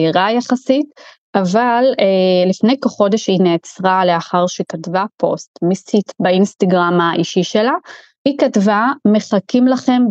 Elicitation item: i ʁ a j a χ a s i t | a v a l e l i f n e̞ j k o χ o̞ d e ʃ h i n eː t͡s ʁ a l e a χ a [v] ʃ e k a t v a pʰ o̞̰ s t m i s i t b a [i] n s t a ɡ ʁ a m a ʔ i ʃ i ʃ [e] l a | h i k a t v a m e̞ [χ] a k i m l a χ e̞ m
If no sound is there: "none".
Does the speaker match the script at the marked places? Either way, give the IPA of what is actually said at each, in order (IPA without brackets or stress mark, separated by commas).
ʁ, i, e, χ